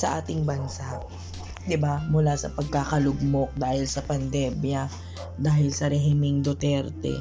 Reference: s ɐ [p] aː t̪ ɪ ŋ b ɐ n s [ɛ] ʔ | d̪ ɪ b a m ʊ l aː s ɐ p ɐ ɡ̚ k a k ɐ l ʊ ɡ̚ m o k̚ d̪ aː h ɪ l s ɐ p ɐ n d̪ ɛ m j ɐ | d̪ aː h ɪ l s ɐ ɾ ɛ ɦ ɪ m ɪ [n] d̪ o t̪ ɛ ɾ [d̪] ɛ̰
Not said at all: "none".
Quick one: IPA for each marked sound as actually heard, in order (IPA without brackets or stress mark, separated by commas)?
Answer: ʔ, a, ŋ, t̪